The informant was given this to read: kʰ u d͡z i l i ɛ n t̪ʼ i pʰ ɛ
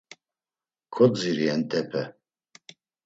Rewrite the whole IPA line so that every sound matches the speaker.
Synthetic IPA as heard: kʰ ɔ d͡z i ɾ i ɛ n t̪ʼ ɛ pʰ ɛ